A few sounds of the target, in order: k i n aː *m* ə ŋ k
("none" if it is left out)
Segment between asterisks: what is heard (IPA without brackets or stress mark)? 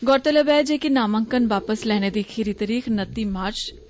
m